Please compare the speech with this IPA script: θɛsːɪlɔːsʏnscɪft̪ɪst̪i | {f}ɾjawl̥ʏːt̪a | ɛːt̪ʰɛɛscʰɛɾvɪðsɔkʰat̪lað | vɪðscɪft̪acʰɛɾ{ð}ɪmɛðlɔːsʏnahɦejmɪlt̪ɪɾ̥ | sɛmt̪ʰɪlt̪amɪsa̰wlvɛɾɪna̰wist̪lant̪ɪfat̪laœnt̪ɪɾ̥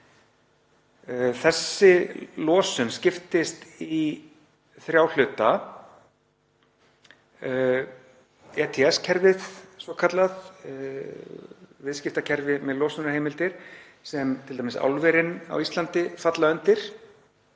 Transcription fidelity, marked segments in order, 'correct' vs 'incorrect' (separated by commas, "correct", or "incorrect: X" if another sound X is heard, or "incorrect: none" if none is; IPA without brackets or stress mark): incorrect: θ, incorrect: v